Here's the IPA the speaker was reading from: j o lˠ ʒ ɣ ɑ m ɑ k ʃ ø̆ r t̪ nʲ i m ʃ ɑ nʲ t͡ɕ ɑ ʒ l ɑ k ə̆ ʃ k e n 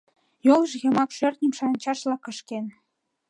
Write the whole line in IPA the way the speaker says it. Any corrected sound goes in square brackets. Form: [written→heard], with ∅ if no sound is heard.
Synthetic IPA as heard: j o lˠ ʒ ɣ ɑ m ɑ k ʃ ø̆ r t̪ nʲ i m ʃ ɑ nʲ t͡ɕ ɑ [ʒ→ʃ] l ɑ k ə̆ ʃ k e n